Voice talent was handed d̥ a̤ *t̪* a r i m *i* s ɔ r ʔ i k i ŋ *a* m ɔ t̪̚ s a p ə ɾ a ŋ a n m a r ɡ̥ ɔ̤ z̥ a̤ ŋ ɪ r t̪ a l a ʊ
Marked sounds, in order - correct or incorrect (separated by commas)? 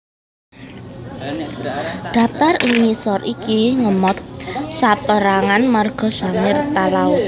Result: correct, correct, incorrect